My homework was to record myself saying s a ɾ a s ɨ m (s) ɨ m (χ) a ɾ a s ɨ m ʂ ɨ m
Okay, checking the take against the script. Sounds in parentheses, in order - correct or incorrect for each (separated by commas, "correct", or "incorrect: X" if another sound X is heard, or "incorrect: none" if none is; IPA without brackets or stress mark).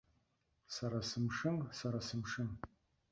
incorrect: ʂ, incorrect: s